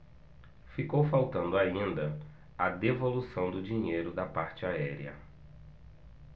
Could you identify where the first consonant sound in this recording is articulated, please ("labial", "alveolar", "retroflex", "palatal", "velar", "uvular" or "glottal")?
labial